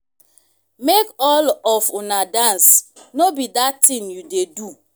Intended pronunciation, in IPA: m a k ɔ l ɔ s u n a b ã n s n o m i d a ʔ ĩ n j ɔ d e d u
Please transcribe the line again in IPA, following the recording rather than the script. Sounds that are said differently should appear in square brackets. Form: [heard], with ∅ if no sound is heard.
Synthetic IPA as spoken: m [e] k ɔ l ɔ [f] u n a [d] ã n s n o [b] i d a [t] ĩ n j [u] d e d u